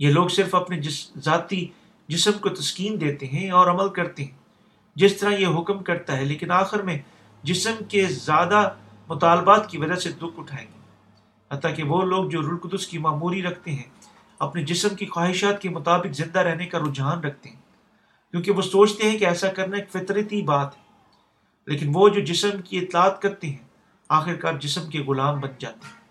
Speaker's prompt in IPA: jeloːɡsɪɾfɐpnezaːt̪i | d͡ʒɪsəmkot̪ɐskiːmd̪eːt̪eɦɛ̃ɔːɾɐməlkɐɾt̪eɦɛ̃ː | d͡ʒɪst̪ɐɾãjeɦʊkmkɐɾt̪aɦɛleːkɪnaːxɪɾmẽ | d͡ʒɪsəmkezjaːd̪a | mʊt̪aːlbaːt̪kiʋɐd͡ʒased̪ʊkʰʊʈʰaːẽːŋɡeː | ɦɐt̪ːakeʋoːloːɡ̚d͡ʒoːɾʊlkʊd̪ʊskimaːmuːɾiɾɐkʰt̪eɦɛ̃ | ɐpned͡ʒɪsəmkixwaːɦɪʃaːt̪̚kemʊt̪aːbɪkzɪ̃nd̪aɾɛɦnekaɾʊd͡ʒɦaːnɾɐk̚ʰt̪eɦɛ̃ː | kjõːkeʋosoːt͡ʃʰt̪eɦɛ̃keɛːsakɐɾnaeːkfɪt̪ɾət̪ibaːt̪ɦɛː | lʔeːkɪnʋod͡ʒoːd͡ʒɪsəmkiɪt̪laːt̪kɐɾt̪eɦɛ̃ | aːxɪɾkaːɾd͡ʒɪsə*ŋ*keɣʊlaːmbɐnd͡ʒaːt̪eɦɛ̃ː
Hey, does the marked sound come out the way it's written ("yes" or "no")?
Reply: no